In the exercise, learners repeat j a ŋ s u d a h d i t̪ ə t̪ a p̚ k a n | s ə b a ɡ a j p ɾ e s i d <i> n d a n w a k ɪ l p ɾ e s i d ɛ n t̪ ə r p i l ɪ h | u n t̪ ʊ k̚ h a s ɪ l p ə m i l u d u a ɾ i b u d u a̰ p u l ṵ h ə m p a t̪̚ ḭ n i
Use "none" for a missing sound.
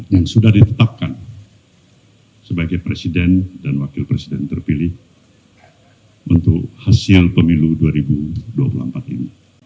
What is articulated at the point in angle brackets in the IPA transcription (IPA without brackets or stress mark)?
ɛ